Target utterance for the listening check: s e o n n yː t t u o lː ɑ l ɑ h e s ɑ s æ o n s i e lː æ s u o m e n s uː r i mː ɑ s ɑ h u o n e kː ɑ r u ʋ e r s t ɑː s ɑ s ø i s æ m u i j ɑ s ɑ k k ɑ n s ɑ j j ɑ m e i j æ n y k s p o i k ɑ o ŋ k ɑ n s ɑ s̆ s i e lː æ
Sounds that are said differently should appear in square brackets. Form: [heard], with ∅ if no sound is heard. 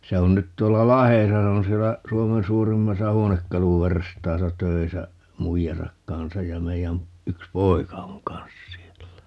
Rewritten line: s e o n n [y] t t u o lː ɑ l ɑ h e s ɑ s [e] o n s i e lː æ s u o m e n s uː r i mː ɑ s ɑ h u o n e kː ɑ [l] u ʋ e r s t ɑː s ɑ [t] ø i s æ m u i j ɑ s ɑ k k ɑ n s ɑ j j ɑ m e i j æ n y k s p o i k ɑ o ŋ k ɑ n s ɑ s̆ s i e lː æ